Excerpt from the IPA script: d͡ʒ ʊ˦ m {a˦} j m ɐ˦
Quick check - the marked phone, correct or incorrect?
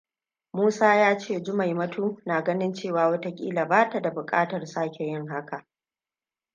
incorrect